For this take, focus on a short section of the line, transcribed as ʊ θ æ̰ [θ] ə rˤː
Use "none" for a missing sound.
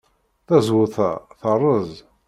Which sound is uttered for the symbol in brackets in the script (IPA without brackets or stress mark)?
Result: θ